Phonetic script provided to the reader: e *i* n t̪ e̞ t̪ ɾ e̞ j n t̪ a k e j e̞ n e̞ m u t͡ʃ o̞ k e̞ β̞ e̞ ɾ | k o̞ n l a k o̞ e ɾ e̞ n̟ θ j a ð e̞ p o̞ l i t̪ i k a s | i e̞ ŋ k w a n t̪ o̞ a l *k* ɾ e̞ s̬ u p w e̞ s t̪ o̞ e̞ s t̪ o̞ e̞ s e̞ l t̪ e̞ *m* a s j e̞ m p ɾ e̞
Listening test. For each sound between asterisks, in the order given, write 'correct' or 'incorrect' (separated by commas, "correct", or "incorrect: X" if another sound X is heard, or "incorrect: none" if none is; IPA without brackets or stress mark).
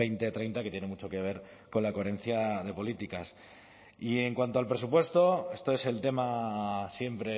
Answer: incorrect: j, incorrect: p, correct